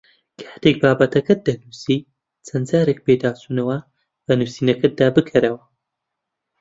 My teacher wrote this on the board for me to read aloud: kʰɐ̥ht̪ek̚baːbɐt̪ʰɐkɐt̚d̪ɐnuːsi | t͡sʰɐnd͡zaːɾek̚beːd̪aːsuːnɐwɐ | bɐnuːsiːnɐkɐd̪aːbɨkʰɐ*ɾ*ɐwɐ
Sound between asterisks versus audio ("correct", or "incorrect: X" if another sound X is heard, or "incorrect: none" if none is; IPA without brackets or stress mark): correct